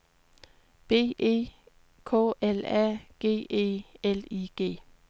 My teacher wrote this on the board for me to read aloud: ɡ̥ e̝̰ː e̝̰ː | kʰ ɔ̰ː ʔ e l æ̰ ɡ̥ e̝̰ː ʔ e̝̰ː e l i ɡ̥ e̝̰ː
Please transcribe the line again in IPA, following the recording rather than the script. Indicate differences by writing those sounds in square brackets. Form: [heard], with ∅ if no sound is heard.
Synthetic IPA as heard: [b̥] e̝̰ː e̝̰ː | kʰ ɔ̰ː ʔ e l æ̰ ɡ̥ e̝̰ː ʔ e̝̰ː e l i ɡ̥ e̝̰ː